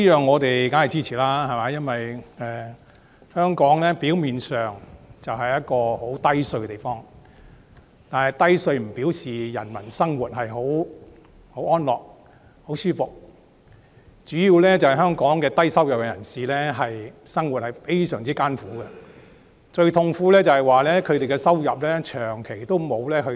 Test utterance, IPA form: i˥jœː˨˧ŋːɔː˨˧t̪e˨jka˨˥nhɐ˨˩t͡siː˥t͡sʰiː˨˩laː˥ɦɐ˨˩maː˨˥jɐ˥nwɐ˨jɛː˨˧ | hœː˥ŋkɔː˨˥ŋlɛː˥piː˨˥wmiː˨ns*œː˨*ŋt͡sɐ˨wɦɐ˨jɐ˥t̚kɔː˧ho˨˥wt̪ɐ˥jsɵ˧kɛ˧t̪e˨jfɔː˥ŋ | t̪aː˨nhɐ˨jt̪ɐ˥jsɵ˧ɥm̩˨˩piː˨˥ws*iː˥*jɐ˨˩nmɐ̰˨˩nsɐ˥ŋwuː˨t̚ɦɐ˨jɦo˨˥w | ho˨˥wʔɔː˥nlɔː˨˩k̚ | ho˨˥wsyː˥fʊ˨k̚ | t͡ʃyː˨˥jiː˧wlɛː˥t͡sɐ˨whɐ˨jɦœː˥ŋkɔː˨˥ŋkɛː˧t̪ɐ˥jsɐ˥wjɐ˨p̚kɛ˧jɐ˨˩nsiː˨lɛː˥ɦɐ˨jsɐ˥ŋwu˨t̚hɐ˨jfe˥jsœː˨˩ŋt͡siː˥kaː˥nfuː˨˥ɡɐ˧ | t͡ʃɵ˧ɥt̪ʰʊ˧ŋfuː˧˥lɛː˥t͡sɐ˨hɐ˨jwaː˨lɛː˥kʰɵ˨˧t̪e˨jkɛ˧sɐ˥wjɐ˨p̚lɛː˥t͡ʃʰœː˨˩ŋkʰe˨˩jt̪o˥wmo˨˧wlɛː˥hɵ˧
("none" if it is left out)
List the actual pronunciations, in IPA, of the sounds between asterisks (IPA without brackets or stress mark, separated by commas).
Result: œː˨, iː˨